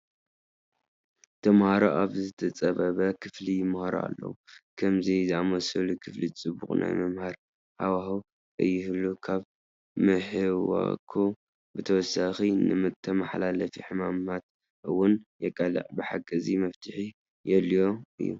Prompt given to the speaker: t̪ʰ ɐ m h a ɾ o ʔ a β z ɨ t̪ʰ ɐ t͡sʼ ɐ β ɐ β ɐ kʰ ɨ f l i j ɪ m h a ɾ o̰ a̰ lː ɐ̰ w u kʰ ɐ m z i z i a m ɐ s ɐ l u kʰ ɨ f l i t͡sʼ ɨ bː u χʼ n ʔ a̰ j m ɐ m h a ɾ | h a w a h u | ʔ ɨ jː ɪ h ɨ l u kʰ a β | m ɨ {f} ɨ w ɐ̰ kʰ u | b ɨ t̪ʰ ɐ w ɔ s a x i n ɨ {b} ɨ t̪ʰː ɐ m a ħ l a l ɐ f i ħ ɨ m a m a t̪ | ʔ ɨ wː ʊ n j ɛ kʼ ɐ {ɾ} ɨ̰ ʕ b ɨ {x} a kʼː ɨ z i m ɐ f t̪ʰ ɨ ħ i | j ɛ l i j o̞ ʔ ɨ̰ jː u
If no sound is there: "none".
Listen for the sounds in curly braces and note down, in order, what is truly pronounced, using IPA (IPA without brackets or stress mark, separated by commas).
ħ, m, l, ħ